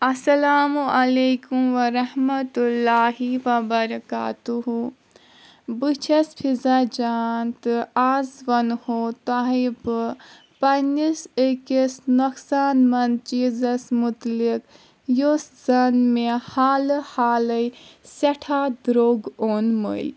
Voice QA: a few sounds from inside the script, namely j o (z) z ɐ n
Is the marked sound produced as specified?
no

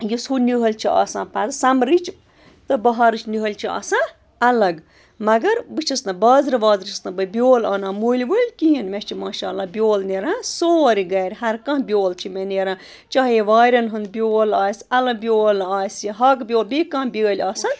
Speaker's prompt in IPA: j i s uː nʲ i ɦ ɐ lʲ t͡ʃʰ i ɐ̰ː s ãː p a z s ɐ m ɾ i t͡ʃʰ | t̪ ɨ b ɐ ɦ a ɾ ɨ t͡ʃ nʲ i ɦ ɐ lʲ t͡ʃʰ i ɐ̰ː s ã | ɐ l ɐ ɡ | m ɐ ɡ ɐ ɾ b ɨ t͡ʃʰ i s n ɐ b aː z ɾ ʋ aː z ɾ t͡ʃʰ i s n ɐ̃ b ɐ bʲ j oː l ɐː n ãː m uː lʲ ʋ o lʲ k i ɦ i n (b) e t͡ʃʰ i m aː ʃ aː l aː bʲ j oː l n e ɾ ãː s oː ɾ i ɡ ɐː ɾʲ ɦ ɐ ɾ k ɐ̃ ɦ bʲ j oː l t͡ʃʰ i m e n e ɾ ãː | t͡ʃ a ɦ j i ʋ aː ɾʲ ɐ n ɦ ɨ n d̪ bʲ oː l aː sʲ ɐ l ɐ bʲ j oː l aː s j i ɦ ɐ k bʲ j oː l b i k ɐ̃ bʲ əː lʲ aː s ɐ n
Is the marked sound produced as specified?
no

